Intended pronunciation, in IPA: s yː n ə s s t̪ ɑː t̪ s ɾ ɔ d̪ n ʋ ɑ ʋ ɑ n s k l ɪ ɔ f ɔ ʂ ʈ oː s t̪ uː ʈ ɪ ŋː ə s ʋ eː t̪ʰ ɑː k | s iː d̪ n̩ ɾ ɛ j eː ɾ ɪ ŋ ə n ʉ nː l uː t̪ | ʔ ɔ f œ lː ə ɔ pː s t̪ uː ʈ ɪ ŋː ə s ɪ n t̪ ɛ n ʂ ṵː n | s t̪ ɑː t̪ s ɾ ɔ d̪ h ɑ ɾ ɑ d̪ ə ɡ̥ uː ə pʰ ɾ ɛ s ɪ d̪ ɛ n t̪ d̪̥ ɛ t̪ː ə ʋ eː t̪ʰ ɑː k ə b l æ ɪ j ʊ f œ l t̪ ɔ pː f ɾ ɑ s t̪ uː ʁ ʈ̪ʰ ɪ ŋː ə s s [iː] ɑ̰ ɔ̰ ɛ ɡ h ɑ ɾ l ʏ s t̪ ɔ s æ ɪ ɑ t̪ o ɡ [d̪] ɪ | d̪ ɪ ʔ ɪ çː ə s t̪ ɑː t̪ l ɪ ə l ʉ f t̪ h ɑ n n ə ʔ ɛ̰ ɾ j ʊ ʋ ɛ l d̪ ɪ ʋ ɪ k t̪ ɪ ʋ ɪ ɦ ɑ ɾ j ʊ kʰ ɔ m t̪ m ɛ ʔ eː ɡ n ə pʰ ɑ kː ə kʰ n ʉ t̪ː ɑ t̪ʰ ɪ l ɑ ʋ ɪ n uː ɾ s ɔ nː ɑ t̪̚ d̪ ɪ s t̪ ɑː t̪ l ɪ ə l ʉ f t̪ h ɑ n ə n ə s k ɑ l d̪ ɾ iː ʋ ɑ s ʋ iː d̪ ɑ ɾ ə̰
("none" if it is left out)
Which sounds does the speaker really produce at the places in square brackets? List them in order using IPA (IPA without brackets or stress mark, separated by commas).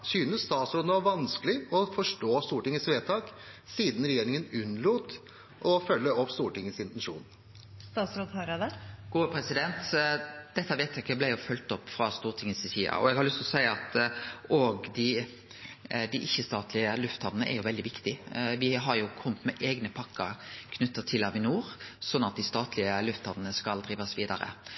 iː, d̪